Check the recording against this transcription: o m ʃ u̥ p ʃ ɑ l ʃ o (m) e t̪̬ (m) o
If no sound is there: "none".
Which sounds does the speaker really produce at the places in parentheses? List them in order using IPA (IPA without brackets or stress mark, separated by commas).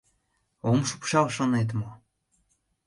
n, m